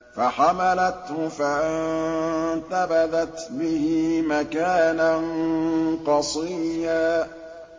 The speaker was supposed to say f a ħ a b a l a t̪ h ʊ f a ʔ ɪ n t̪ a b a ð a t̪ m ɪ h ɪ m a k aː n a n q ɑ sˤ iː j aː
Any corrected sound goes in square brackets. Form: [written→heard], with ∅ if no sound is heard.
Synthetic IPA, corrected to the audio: f a ħ a [b→m] a l a t̪ h ʊ f a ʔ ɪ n t̪ a b a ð a t̪ [m→b] ɪ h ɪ m a k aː n a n q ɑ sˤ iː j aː